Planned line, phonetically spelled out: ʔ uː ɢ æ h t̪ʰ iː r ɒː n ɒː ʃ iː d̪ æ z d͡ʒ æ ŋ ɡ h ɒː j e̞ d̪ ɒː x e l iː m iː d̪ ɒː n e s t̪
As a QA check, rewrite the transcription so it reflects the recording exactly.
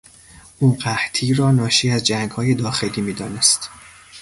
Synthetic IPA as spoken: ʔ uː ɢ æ h t̪ʰ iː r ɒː n ɒː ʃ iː æ z d͡ʒ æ ŋ ɡ h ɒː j e̞ d̪ ɒː x e l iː m iː d̪ ɒː n e s t̪